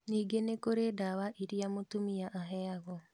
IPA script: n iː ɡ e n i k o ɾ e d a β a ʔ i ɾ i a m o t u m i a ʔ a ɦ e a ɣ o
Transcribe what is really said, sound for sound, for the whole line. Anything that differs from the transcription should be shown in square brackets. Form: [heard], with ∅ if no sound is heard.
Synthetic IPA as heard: n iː ɡ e n [e] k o ɾ e d a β a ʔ i ɾ i a m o t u m i a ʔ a ɦ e a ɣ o